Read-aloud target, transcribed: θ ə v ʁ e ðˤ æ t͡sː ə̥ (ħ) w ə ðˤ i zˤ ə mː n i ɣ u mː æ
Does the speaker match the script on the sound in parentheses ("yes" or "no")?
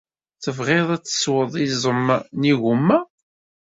no